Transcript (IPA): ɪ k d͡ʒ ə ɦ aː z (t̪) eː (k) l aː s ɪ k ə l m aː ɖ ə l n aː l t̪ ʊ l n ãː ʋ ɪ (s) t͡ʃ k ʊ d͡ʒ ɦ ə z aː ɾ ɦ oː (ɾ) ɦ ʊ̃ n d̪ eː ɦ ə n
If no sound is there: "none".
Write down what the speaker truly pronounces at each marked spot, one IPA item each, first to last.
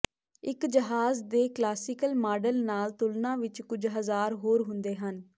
d̪, k, none, ɾ

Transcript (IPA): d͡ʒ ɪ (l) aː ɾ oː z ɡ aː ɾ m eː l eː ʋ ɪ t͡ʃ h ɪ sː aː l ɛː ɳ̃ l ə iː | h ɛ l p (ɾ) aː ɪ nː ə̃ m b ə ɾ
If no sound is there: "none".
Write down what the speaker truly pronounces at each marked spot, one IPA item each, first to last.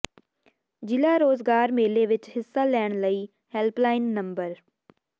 l, l

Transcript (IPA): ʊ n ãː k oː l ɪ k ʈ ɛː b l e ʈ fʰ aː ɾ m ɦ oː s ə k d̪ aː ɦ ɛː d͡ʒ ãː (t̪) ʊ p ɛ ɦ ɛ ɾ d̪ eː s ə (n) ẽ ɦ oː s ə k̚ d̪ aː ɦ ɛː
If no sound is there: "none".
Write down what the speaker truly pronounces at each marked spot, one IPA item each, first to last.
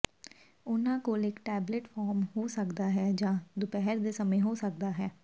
d̪, m

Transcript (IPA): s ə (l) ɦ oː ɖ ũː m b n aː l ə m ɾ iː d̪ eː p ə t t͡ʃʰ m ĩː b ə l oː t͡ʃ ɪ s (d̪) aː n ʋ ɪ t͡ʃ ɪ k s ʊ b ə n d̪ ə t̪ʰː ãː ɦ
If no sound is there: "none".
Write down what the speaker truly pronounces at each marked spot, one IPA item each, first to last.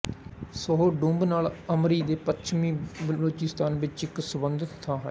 none, t̪

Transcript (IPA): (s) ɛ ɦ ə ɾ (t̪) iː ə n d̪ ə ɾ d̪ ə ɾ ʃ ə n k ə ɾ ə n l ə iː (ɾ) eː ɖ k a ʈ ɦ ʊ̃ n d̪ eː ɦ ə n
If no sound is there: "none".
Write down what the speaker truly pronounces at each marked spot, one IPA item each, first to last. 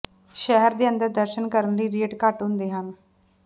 ʃ, d̪, ɾ

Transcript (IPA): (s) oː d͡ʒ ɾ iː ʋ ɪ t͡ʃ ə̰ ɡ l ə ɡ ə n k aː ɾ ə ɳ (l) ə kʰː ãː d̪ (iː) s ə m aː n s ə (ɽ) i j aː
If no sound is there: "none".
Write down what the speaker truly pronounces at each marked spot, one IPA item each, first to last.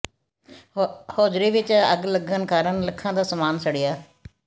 h, l, aː, ɽ

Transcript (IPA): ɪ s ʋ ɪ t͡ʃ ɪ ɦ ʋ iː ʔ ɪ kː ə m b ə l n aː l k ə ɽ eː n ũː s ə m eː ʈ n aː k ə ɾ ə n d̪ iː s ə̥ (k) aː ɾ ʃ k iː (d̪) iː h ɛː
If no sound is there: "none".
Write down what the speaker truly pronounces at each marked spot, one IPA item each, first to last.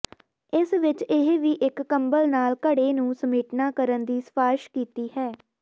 p, t̪

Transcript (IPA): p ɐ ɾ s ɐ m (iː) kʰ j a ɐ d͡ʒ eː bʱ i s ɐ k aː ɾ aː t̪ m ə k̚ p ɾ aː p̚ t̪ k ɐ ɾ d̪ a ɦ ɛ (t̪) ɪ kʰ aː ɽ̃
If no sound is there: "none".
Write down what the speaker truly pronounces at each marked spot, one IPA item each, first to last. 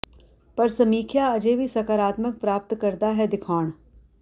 iː, d̪

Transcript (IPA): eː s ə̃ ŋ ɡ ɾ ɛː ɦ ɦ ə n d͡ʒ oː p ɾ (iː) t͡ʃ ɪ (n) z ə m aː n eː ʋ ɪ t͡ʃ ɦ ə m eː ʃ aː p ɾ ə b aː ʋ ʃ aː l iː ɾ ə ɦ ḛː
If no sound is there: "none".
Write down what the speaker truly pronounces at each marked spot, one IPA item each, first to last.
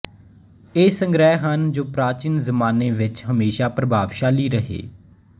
aː, n

